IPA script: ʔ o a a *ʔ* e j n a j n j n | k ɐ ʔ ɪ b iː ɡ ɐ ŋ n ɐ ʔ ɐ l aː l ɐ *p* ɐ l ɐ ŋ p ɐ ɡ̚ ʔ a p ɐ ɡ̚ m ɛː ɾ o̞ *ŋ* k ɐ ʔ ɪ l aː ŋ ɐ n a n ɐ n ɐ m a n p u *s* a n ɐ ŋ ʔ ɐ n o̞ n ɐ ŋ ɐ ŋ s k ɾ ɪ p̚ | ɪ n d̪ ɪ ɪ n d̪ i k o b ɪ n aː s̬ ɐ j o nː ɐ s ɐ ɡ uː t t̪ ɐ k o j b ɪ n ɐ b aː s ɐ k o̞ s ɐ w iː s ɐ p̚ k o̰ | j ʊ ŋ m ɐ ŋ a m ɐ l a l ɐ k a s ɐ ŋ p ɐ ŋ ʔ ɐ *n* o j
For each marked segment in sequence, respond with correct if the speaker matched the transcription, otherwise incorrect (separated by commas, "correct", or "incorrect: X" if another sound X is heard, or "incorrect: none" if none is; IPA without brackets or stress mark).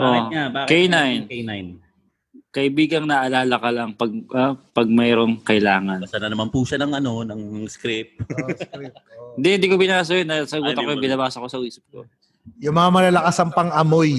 incorrect: k, incorrect: k, correct, incorrect: ʃ, incorrect: m